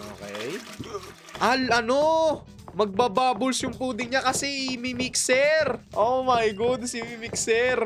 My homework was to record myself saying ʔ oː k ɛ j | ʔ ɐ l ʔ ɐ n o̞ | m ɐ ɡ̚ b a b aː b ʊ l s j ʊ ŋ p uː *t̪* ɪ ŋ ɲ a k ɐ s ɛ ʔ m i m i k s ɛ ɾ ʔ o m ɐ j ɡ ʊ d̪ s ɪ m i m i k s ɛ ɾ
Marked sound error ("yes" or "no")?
yes